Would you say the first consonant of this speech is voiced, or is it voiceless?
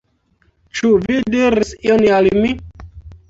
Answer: voiceless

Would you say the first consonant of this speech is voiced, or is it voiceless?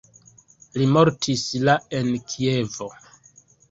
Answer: voiced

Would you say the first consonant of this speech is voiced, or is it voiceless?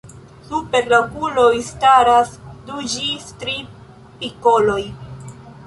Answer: voiceless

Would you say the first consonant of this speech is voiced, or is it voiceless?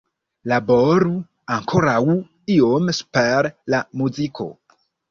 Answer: voiced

